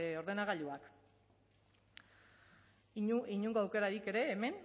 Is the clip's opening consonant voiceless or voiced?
voiced